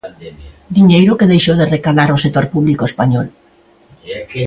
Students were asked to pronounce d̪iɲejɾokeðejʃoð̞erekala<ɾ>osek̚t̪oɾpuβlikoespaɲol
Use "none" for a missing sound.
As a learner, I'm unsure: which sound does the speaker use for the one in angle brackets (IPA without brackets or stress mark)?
ɾ